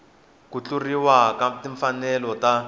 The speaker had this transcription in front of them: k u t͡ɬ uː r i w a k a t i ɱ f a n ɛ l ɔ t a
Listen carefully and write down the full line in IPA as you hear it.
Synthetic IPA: k u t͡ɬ u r i w a k a t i ɱ f a n ɛ l ɔ t a